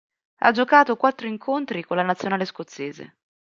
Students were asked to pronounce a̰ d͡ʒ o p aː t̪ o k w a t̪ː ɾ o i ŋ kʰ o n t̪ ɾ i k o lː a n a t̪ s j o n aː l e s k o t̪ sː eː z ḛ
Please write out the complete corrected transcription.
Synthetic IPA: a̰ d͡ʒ o k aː t̪ o k w a t̪ː ɾ o i ŋ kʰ o n t̪ ɾ i k o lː a n a t̪ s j o n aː l e s k o t̪ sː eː z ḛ